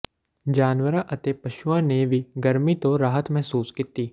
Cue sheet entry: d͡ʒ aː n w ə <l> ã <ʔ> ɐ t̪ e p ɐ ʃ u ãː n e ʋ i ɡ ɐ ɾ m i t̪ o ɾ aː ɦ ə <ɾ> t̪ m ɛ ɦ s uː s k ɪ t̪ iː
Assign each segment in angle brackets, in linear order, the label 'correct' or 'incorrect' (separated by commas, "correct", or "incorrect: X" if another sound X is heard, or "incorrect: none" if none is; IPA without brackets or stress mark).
incorrect: ɾ, correct, incorrect: none